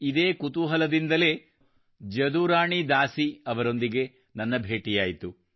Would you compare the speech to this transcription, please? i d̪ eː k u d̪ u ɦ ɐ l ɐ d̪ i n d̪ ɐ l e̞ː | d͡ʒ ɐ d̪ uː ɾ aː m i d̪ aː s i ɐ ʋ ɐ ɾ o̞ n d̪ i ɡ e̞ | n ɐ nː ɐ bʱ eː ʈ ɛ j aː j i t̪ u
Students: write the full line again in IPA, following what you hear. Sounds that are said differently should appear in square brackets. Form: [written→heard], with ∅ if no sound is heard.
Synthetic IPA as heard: i d̪ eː k u [d̪→t̪] u ɦ ɐ l ɐ d̪ i n d̪ ɐ l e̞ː | d͡ʒ ɐ d̪ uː ɾ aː [m→ɳ] i d̪ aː s i ɐ ʋ ɐ ɾ o̞ n d̪ i ɡ e̞ | n ɐ nː ɐ bʱ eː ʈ [ɛ→i] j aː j i t̪ u